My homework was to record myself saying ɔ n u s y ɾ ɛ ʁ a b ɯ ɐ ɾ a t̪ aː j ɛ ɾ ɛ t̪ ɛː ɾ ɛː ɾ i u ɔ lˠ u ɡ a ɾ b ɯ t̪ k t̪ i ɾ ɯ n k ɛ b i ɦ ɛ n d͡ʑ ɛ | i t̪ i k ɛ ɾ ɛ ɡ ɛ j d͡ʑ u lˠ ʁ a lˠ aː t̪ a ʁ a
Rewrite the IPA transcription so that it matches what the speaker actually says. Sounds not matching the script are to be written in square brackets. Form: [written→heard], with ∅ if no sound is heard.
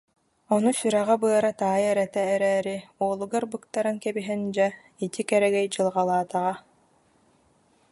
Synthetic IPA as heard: ɔ n u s y ɾ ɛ ʁ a b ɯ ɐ ɾ a t̪ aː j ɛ ɾ ɛ t̪ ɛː ɾ ɛː ɾ i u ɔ lˠ u ɡ a ɾ b ɯ [t̪→∅] k t̪ [i→a] ɾ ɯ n k ɛ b i ɦ ɛ n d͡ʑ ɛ | i t̪ i k ɛ ɾ ɛ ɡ ɛ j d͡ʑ [u→ɯ] lˠ ʁ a lˠ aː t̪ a ʁ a